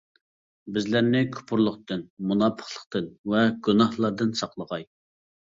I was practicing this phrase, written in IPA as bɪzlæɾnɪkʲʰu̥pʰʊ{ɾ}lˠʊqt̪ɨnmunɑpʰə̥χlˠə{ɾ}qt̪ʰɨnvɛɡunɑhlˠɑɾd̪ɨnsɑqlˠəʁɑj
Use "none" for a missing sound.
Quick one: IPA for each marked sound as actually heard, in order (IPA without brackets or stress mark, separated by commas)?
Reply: ɾ, none